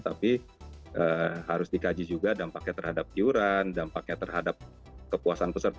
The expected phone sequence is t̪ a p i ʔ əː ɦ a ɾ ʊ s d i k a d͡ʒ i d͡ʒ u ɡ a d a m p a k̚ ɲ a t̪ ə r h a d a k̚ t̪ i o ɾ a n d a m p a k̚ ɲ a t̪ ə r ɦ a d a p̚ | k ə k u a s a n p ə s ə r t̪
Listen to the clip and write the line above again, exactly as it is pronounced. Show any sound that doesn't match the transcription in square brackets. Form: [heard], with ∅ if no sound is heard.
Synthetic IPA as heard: t̪ a p i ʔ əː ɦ a ɾ ʊ s d i k a d͡ʒ i d͡ʒ u ɡ a d a m p a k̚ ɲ a t̪ ə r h a d a [p̚] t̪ i [u] ɾ a n d a m p a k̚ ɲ a t̪ ə r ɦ a d a p̚ | k ə [p] u a s a n p ə s ə r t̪